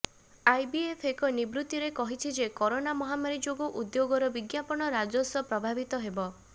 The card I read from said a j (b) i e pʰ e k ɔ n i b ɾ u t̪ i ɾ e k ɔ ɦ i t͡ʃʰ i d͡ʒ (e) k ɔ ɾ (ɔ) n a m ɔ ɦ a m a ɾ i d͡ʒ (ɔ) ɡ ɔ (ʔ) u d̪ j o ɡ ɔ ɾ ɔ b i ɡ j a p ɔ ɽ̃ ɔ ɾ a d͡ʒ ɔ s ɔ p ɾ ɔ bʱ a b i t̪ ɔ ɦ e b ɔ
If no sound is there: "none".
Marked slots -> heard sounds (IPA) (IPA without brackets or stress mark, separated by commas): b, e, o, o, ʔ